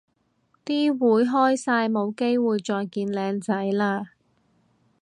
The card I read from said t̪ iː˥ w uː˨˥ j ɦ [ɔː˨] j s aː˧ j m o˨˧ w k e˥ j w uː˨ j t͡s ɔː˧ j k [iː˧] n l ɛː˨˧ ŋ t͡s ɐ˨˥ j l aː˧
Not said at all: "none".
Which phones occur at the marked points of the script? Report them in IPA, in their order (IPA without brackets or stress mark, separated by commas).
ɔː˥, iː˧